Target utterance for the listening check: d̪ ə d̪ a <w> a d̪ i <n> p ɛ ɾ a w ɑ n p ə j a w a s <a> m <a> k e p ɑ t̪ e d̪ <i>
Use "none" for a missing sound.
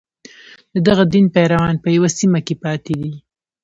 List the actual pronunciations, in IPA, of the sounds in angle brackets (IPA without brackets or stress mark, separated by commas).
ɣ, n, i, a, i